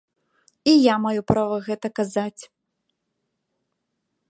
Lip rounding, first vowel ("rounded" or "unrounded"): unrounded